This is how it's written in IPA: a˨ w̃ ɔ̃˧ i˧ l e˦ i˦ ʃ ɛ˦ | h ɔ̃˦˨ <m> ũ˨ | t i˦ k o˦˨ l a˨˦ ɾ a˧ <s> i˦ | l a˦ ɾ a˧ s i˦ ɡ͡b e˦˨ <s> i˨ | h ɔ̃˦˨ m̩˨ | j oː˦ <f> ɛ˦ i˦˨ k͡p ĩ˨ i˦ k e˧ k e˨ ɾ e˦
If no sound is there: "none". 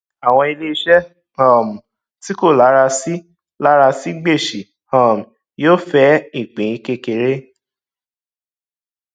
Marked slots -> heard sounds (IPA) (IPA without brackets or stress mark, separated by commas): m, s, ʃ, f